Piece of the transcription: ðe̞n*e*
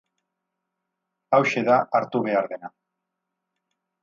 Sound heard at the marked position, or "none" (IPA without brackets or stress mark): a